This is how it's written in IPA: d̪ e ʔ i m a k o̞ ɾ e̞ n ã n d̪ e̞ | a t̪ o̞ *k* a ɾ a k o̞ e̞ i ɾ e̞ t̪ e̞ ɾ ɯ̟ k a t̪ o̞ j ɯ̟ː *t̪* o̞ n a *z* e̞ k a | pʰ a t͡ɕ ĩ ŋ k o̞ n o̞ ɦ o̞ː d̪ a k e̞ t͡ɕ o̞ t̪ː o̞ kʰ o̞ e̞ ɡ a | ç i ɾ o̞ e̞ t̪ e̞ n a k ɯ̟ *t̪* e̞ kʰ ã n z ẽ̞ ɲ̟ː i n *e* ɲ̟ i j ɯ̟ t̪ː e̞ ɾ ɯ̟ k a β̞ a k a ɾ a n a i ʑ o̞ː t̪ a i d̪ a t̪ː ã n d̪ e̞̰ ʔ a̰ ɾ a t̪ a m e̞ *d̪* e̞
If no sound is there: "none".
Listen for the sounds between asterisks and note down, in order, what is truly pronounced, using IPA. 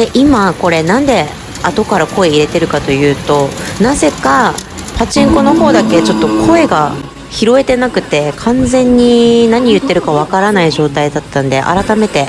k, t̪, z, t̪, a, t̪

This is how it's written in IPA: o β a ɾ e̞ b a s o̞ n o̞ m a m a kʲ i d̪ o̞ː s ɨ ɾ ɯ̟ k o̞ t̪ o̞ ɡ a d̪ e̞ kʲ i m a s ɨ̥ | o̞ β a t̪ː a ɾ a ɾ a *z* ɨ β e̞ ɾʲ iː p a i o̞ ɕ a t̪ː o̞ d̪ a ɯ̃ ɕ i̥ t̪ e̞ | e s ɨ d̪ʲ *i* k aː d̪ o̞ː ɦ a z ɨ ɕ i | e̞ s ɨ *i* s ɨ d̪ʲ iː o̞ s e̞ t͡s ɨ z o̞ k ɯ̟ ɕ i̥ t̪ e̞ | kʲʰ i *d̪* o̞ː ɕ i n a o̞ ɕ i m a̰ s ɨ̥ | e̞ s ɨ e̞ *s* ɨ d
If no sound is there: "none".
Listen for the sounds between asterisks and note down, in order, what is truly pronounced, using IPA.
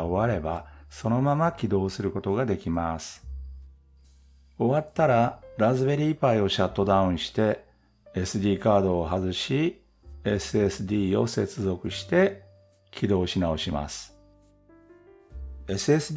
z, iː, e, d̪, s

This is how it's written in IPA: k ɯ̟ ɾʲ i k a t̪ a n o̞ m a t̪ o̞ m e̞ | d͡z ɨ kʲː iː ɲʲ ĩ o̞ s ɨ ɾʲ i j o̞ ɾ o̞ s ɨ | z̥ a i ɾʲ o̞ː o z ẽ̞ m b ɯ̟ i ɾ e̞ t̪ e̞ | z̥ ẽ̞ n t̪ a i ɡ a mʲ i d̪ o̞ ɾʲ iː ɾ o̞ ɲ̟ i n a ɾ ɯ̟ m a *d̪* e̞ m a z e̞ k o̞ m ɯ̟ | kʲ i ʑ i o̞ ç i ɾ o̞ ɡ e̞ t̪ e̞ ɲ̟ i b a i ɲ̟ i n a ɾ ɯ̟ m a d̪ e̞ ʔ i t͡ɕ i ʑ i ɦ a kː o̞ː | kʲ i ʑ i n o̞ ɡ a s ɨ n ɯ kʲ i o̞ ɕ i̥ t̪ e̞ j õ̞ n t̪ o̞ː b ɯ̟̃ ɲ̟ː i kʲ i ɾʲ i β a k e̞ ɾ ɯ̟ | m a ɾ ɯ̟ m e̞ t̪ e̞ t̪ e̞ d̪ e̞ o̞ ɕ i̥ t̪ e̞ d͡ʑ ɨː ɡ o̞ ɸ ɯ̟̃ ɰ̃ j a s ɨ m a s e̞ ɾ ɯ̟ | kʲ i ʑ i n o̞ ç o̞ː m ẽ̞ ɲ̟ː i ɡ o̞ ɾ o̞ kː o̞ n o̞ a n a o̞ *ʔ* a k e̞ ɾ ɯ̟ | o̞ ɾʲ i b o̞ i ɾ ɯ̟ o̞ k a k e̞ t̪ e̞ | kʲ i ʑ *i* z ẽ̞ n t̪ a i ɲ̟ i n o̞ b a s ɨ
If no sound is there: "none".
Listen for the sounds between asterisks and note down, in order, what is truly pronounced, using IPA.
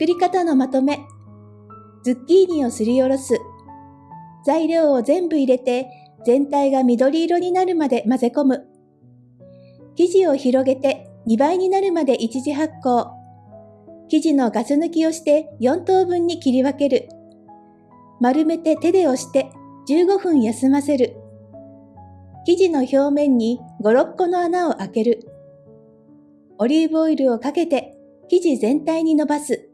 d̪, ʔ, i

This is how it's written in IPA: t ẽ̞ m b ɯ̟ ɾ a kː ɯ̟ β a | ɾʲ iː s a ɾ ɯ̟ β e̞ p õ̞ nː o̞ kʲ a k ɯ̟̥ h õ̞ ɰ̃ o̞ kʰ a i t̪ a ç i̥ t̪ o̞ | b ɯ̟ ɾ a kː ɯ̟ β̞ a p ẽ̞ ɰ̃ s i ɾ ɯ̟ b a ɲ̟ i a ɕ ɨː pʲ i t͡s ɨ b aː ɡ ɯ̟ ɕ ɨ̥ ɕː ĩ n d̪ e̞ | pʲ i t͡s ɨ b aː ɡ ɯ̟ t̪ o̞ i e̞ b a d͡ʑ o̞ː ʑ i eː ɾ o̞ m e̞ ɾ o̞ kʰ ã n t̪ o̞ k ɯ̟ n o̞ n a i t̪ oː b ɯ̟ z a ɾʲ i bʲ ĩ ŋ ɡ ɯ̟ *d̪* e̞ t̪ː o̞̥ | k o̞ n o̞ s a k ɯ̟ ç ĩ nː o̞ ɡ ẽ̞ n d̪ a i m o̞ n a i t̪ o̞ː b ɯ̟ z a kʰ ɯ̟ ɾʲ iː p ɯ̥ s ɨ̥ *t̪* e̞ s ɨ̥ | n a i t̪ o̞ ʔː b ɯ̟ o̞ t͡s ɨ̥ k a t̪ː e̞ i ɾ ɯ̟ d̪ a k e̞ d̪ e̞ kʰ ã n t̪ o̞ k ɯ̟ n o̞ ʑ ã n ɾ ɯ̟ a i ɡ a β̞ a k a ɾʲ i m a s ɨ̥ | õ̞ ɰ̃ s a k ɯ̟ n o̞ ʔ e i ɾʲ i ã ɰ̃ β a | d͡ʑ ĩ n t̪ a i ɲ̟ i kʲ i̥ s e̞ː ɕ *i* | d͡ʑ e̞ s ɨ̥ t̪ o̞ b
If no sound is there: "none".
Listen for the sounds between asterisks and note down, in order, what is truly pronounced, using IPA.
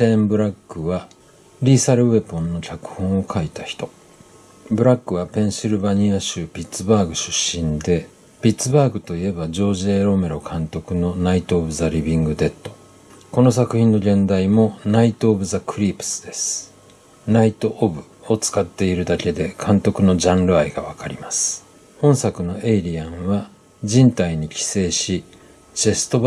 d̪, d̪, i

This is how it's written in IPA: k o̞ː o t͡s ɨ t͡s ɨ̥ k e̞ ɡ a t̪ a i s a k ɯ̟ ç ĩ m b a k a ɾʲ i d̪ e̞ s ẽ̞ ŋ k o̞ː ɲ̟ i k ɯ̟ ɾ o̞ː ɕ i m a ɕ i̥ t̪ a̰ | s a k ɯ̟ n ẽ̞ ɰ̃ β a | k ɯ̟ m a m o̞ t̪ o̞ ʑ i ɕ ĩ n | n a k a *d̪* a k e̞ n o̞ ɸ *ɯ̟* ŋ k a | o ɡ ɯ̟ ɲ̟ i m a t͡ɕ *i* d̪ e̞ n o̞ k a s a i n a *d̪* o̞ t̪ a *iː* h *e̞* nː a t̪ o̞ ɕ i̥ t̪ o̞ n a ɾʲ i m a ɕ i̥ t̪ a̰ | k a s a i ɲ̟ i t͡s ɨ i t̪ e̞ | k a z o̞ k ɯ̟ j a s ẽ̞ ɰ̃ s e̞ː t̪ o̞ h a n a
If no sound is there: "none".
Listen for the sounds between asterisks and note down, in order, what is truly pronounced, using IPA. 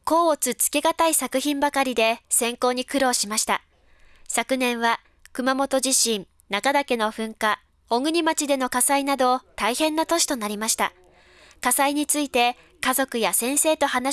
d̪, ɯ̟̃, i, d̪, i, ẽ̞

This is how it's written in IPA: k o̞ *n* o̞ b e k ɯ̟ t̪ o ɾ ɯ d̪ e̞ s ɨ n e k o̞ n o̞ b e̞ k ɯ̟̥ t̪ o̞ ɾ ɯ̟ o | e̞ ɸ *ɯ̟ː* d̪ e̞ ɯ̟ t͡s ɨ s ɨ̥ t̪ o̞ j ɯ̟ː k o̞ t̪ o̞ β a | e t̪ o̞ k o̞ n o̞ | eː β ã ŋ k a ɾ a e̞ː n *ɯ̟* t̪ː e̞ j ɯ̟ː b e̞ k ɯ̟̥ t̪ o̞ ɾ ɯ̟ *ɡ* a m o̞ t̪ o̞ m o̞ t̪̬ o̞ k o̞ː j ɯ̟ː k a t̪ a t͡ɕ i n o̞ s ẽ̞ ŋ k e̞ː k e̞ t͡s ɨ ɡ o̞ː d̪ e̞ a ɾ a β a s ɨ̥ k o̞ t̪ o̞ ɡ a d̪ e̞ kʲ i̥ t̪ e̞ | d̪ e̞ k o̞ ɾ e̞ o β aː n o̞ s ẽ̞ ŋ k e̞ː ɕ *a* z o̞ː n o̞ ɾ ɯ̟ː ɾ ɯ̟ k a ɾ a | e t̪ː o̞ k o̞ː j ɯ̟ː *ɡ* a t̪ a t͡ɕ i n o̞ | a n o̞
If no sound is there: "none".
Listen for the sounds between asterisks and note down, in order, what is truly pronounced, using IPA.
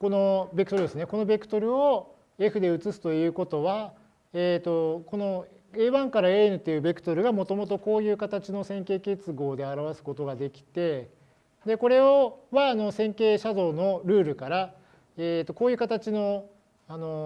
n, ɯ̟, ɯ̟, ɡ, a, k

